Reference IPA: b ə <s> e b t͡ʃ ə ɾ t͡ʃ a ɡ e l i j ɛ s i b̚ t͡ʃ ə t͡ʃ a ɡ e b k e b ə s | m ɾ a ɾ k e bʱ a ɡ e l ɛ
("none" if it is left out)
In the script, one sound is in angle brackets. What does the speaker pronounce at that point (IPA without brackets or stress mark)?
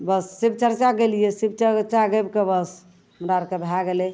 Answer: sː